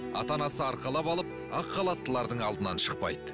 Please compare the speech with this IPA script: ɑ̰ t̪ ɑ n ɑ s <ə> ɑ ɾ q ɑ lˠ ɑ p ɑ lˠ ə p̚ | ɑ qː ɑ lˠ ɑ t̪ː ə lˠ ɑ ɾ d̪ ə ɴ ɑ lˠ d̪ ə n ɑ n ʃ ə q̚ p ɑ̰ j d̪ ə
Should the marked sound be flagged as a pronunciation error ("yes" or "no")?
no